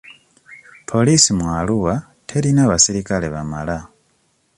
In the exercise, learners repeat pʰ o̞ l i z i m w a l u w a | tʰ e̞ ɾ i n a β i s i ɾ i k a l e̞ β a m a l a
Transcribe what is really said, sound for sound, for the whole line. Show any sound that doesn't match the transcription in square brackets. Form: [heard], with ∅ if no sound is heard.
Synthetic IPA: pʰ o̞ l i [s] i m w a l u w a | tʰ e̞ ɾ i n a β [a] s i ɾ i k a l e̞ β a m a l a